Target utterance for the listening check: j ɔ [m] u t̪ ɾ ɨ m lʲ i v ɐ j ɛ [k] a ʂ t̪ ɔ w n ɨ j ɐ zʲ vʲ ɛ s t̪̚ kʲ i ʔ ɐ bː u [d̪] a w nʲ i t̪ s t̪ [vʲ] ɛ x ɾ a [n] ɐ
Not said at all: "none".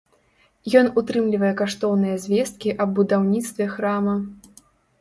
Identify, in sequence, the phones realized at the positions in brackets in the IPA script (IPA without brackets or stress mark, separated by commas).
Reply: n, k, d̪, vʲ, m